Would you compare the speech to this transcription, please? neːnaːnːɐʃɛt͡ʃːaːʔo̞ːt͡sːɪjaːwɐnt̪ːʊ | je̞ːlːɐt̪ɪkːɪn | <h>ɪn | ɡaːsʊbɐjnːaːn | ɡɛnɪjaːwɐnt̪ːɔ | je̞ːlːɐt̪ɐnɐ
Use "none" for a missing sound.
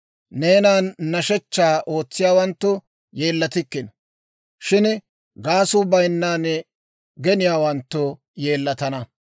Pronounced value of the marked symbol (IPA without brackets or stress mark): ʃ